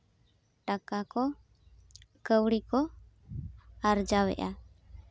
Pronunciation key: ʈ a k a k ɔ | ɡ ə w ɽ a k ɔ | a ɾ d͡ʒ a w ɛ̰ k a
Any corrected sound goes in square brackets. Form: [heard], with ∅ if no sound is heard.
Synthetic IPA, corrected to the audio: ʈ a k a k ɔ | [k] ə w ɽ [i] k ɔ | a ɾ d͡ʒ a w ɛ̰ [ʔ] a